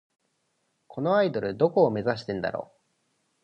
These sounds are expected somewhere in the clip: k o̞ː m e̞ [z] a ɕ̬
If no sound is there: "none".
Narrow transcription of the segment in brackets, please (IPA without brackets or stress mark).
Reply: z